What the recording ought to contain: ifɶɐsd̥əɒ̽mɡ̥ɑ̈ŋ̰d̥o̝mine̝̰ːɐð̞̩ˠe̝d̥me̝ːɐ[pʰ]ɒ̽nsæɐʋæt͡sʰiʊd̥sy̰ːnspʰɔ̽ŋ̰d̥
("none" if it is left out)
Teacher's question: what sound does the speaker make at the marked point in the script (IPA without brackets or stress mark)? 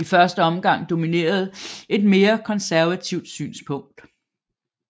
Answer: kʰ